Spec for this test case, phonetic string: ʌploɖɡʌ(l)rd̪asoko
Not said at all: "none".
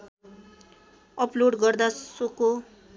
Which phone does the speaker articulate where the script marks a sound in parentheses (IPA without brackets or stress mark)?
none